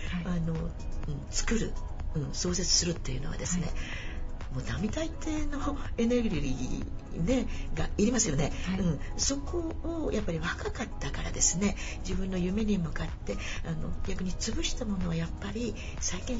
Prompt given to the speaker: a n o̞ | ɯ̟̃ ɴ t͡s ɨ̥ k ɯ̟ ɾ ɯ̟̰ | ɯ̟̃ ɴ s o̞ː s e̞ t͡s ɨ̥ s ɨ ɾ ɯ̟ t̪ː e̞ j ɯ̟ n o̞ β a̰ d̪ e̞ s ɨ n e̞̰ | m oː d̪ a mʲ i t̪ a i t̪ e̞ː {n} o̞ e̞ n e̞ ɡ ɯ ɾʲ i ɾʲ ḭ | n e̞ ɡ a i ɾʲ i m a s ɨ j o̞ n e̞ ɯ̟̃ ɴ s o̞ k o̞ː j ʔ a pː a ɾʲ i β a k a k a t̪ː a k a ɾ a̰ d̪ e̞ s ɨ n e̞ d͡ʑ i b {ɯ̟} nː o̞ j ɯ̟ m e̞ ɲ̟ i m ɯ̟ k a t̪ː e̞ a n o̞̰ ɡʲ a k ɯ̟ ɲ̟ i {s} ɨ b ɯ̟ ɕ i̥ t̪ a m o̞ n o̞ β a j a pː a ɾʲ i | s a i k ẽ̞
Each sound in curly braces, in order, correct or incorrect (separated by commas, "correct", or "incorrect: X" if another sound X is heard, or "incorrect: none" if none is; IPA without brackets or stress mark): correct, incorrect: ɯ̟̃, incorrect: t͡s